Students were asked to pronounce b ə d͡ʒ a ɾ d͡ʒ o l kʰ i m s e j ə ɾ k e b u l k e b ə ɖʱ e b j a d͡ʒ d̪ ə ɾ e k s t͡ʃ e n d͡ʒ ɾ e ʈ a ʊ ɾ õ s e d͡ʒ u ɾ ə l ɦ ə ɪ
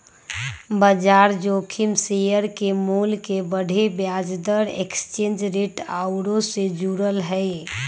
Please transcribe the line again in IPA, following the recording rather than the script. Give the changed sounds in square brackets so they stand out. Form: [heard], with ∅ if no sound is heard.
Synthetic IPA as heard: b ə d͡ʒ a ɾ d͡ʒ o [∅] kʰ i m s e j ə ɾ k e [m] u l k e b ə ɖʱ e b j a d͡ʒ d̪ ə ɾ e k s t͡ʃ e n d͡ʒ ɾ e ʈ a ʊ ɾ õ s e d͡ʒ u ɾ ə l ɦ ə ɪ